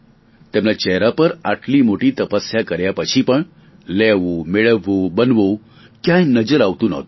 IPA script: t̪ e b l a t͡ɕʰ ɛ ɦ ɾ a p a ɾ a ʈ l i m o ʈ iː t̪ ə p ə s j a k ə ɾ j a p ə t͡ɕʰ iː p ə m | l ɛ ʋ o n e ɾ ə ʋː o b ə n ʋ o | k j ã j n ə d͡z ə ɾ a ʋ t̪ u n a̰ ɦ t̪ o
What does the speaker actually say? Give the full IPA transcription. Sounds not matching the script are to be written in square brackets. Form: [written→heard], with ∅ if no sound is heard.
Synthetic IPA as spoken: t̪ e [b→m] l a [t͡ɕʰ→t͡ɕ] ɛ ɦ ɾ a p [a→ə] ɾ a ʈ l i m o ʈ iː t̪ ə p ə s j a k ə ɾ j a p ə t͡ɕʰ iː p ə [m→ɳ] | l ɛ ʋ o [n→m] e [ɾ→ɭ] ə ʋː o b ə n ʋ o | k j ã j n ə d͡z ə ɾ a ʋ t̪ u n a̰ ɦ t̪ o